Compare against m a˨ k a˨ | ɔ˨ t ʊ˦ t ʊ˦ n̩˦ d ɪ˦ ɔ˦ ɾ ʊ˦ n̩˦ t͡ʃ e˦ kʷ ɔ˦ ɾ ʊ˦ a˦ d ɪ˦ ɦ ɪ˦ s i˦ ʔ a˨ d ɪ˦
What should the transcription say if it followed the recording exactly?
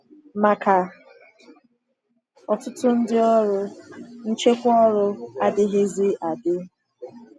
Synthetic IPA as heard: m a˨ k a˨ | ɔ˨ t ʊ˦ t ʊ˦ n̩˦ d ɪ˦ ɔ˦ ɾ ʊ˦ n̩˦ t͡ʃ e˦ kʷ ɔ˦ ɾ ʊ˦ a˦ d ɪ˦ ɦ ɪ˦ z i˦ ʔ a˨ d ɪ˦